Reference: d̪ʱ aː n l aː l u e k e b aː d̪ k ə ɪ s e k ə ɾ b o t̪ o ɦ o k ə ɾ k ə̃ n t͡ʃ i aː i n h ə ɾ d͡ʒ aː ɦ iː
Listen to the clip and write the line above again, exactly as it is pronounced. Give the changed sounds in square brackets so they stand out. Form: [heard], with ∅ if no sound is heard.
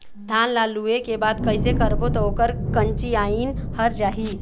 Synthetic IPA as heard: d̪ʱ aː n l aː l u e k e b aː d̪ k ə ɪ s e k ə ɾ b o t̪ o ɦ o k ə ɾ k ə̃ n t͡ʃ i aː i n h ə ɾ d͡ʒ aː ɦ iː